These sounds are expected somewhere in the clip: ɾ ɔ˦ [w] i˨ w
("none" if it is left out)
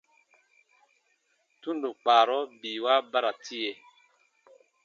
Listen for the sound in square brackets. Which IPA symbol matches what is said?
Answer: b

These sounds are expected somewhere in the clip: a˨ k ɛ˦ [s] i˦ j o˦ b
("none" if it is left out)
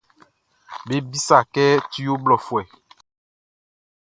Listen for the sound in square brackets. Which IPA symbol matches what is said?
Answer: t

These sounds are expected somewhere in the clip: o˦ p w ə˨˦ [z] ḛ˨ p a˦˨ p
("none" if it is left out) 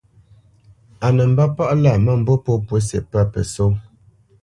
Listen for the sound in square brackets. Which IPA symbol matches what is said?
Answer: s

